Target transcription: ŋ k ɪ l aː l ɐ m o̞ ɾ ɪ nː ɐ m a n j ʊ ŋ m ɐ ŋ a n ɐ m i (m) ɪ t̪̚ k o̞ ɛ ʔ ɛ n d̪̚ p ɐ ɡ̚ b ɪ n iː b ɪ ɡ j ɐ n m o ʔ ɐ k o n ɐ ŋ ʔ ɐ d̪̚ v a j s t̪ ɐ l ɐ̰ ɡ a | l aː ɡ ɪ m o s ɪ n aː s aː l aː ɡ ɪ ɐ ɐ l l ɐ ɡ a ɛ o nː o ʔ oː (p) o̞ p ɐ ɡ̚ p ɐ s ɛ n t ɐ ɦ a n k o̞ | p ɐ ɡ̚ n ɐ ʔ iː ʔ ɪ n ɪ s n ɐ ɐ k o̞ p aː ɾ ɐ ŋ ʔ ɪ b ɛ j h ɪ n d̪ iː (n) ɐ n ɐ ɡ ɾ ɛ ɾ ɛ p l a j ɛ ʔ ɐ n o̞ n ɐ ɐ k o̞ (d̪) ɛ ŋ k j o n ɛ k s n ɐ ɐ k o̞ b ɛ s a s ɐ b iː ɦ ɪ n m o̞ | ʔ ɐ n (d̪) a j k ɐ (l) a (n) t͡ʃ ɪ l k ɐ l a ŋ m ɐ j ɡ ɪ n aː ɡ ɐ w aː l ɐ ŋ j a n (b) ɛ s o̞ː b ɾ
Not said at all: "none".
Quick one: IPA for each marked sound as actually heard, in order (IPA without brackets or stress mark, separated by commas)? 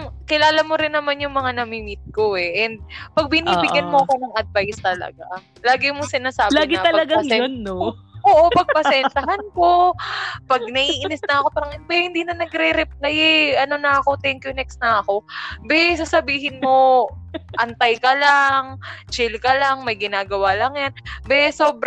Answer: m, ʔ, n, t̪, t̪, l, ŋ, b